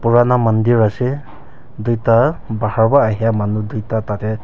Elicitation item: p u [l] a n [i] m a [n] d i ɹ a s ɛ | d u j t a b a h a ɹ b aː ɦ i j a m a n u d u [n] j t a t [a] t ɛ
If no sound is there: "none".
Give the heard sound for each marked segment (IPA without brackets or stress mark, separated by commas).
ɹ, a, n, none, a